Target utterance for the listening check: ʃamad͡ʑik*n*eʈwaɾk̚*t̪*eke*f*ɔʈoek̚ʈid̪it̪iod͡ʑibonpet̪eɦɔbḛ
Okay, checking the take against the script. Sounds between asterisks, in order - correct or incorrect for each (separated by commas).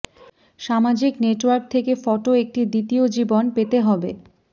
correct, incorrect, correct